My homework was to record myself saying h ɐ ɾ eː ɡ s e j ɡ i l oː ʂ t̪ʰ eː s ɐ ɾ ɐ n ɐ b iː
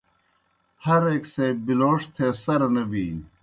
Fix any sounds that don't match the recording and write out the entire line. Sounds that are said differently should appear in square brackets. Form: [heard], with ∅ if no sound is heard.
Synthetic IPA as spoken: h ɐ ɾ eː [k] s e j [b] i l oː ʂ t̪ʰ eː s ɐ ɾ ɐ n ɐ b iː